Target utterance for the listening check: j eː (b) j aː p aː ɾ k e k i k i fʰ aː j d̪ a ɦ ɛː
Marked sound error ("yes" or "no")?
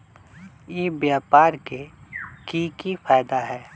no